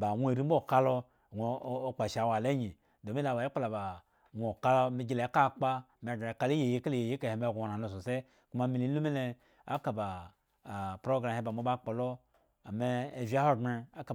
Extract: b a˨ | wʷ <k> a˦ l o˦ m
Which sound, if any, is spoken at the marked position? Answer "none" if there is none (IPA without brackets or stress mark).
k